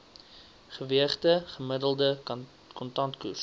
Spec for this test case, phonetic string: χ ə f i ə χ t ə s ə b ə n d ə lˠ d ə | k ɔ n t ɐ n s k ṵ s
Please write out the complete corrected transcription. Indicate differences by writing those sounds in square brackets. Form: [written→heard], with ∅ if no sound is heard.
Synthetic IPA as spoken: χ ə [f→v] i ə χ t ə [s→χ] ə [b→m] ə [n→∅] d ə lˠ d ə | k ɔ n t ɐ n [s→t] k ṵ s